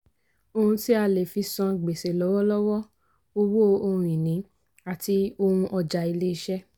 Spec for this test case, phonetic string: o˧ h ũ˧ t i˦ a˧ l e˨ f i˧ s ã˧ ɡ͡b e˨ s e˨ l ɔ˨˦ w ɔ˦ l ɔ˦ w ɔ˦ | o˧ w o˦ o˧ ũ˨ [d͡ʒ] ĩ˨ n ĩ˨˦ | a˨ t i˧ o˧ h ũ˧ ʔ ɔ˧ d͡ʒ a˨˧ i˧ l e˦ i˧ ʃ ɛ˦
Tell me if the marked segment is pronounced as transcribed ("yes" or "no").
no